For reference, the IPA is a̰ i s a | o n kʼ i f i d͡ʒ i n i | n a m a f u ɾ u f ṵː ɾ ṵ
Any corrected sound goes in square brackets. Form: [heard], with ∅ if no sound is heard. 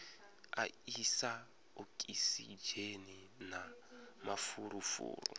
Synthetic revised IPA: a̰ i s a | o [∅] kʼ i [s] i d͡ʒ [e] n i | n a m a f u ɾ u f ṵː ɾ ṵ